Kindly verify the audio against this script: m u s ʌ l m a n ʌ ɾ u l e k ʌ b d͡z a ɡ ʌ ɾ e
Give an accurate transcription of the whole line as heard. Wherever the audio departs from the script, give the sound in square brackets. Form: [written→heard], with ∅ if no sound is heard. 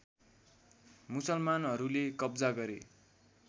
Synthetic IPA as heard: m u s ʌ l m a n ʌ ɾ u l e k ʌ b d͡z a ɡ ʌ ɾ e